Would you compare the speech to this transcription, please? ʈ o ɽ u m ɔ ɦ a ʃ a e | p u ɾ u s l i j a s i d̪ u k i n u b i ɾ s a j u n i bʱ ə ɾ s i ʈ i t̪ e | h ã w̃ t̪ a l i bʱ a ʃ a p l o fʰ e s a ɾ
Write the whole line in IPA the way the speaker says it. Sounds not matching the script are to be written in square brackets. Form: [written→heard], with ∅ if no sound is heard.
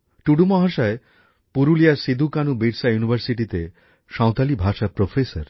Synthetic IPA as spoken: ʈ [o→u] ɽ u m ɔ ɦ a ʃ a e | p u ɾ u [s→∅] l i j a s i d̪ u k [i→a] n u b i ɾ s a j u n i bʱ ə ɾ s i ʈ i t̪ e | [h→ʃ] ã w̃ t̪ a l i bʱ a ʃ a p [l→ɾ] o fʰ e s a ɾ